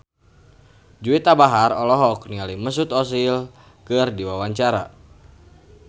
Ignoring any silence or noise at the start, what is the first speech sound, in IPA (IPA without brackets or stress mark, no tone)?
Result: d͡ʒ